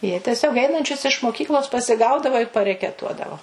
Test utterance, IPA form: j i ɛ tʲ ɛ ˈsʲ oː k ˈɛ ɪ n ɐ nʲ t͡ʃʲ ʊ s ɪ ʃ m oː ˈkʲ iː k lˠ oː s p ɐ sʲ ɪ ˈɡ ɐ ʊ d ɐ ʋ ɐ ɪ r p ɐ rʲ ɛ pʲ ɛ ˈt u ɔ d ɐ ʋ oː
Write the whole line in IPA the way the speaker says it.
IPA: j i ɛ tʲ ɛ ˈsʲ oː k ˈɛ ɪ n ɐ nʲ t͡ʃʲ ʊ s ɪ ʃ m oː ˈkʲ iː k lˠ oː s p ɐ sʲ ɪ ˈɡ ɐ ʊ d ɐ ʋ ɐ ɪ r p ɐ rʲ ɛ kʲ ɛ ˈt u ɔ d ɐ ʋ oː

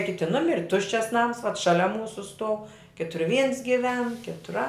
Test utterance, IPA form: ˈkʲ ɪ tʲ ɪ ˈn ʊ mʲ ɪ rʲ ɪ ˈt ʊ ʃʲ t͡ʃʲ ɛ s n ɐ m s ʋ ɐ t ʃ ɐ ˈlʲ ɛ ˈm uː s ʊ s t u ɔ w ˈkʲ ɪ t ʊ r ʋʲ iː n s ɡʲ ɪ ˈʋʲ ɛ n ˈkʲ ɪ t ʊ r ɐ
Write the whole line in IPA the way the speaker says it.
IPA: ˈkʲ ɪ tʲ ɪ ˈn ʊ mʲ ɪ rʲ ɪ ˈt ʊ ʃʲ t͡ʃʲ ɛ s n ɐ m s ʋ ɐ t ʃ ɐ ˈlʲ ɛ ˈm uː s ʊ s t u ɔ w ˈkʲ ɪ t ʊ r ʋʲ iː n s ɡʲ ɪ ˈʋʲ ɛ n ˈkʲ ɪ t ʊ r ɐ

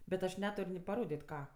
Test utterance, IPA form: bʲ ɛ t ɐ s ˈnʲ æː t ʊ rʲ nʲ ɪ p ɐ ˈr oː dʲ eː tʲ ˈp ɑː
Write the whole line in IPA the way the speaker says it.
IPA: bʲ ɛ t ɐ ʃ ˈnʲ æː t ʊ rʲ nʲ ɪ p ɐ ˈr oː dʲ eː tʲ ˈk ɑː

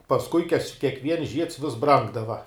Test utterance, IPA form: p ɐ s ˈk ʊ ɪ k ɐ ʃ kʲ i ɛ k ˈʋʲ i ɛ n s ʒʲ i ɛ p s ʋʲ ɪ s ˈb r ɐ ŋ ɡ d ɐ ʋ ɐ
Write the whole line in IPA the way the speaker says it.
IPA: p ɐ s ˈk ʊ ɪ k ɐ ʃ kʲ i ɛ k ˈʋʲ i ɛ n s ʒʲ i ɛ t s ʋʲ ɪ s ˈb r ɐ ŋ ɡ d ɐ ʋ ɐ

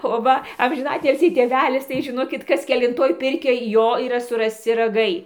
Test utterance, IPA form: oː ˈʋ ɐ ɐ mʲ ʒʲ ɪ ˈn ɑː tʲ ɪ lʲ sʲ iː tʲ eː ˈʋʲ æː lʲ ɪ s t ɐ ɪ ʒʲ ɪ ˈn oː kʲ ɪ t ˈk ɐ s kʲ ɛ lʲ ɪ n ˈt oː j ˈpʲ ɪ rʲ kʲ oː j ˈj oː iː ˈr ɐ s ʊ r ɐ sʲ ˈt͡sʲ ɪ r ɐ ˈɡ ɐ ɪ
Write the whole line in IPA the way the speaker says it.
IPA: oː ˈʋ ɐ ɐ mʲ ʒʲ ɪ ˈn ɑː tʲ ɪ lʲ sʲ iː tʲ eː ˈʋʲ æː lʲ ɪ s t ɐ ɪ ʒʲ ɪ ˈn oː kʲ ɪ t ˈk ɐ s kʲ ɛ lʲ ɪ n ˈt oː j ˈpʲ ɪ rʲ kʲ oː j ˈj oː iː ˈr ɐ s ʊ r ɐ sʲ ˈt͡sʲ ɪ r ɐ ˈɡ ɐ ɪ

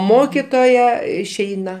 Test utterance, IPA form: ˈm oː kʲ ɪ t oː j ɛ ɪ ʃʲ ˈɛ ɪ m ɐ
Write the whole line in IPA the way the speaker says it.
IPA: ˈm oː kʲ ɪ t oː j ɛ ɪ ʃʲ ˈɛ ɪ n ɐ

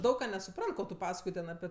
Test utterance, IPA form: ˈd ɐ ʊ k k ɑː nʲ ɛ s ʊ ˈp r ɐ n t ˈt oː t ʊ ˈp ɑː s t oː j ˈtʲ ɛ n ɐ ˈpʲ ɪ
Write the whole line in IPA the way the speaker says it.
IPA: ˈd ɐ ʊ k k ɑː nʲ ɛ s ʊ ˈp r ɐ n t ˈk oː t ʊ ˈp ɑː s k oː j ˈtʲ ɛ n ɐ ˈpʲ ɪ

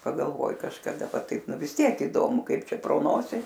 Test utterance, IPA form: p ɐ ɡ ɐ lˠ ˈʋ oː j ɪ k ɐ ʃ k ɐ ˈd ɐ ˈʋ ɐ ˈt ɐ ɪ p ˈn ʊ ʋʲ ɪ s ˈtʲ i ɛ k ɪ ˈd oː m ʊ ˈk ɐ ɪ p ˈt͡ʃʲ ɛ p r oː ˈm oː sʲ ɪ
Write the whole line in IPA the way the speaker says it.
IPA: p ɐ ɡ ɐ lˠ ˈʋ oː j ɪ k ɐ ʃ k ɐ ˈd ɐ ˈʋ ɐ ˈt ɐ ɪ p ˈn ʊ ʋʲ ɪ s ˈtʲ i ɛ k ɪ ˈd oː m ʊ ˈk ɐ ɪ p ˈt͡ʃʲ ɛ p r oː ˈn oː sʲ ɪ

